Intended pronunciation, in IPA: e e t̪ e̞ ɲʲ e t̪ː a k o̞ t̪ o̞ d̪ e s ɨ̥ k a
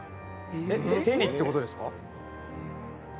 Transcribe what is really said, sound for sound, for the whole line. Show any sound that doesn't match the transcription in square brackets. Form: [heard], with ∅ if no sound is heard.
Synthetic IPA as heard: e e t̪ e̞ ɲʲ [i] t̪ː [e] k o̞ t̪ o̞ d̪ e s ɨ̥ k a